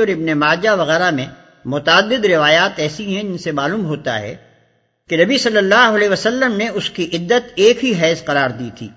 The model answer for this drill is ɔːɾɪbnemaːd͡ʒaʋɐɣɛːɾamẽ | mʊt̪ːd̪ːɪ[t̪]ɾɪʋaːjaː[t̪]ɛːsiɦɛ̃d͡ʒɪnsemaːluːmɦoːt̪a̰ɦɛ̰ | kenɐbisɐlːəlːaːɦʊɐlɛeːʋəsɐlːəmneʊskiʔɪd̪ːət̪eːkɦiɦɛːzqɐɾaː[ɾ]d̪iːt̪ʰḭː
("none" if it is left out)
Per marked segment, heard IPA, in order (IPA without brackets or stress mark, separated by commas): d̪, t̪, ɾ